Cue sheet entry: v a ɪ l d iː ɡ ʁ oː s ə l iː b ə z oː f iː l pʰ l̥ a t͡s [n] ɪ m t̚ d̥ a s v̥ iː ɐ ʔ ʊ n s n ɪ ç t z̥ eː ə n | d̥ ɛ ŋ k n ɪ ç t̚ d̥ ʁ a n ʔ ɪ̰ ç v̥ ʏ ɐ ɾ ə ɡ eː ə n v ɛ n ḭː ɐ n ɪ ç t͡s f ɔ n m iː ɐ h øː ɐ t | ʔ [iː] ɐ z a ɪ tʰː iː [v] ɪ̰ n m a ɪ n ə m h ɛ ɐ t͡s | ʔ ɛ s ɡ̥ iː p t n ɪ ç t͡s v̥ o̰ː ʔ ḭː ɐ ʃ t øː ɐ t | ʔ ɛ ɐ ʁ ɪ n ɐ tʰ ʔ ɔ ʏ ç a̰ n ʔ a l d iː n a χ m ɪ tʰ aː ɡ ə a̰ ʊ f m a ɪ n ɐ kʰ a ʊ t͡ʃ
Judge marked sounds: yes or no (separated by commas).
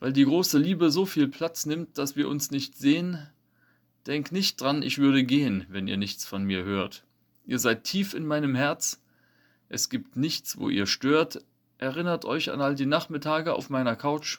yes, yes, no